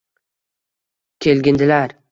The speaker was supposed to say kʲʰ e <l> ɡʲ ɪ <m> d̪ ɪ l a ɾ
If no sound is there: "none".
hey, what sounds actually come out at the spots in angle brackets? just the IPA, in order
l, n

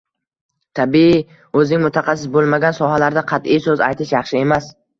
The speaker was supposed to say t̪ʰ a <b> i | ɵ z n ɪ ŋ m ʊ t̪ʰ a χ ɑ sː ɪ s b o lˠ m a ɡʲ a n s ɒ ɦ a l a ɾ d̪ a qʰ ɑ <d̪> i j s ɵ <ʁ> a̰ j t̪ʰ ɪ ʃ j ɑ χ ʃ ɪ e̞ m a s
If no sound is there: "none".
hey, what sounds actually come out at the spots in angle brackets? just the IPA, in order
b, t̪, z

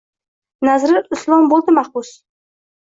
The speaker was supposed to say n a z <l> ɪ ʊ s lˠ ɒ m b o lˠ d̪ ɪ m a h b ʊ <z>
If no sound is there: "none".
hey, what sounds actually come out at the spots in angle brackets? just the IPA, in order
ɾ, s

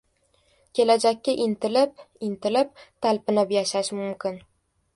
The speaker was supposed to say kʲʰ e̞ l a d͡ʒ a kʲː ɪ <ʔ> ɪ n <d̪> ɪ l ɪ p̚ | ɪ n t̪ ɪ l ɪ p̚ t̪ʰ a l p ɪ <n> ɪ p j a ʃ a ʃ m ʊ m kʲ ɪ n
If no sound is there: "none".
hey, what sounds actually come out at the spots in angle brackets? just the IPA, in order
ʔ, t̪, n

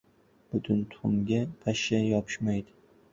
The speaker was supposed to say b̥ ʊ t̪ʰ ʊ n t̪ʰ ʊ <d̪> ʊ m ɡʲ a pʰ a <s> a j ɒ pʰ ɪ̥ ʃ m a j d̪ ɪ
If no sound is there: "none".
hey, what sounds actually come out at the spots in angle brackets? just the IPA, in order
none, ʃ

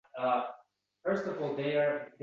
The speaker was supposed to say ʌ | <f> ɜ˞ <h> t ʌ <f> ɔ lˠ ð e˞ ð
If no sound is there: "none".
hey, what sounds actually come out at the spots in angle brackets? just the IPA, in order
f, s, v

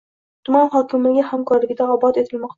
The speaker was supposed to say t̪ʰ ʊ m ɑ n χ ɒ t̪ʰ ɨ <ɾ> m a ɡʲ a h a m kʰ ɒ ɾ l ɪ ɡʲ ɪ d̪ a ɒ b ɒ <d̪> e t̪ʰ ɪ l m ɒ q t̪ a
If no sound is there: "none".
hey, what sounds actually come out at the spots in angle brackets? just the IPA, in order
l, t̪

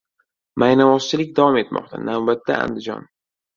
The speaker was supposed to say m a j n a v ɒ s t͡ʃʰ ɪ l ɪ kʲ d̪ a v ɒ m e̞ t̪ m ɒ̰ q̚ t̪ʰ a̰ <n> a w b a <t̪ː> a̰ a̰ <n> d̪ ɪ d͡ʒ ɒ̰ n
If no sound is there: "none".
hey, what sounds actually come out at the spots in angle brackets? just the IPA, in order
n, t̪ː, n

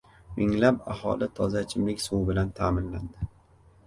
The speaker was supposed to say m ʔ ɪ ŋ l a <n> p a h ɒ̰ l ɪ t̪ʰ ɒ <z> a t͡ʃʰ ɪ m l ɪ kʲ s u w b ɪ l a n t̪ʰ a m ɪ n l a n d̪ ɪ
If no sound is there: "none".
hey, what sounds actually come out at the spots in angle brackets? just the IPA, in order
none, z

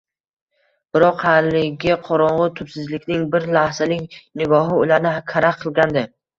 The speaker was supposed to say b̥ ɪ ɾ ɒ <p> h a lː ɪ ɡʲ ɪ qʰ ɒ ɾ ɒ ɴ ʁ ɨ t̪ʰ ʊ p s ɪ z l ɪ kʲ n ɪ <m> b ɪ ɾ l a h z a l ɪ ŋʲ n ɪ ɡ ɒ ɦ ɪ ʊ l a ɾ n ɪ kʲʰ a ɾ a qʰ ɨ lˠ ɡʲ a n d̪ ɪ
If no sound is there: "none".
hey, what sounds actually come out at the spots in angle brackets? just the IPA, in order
q, ŋ

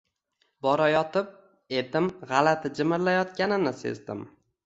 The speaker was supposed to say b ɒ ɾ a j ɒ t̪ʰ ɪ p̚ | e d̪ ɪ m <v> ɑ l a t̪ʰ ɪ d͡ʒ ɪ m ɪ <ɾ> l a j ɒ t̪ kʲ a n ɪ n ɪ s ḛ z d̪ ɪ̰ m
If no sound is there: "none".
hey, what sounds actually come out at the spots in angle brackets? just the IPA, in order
ʁ, ɾ

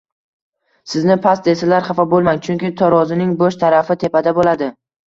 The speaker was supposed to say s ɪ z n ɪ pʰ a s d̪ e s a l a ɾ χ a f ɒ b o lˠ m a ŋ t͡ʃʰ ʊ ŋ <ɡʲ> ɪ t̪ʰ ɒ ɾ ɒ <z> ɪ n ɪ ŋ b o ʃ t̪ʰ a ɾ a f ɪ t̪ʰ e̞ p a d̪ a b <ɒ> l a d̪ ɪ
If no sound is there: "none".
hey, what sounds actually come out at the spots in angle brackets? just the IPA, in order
kʲ, z, o

